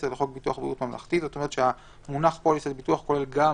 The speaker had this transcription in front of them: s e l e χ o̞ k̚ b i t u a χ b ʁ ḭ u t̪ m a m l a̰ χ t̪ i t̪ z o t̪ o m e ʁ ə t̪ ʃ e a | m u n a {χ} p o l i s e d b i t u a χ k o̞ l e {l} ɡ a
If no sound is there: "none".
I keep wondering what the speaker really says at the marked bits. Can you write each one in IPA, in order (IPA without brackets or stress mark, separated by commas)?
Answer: χ, l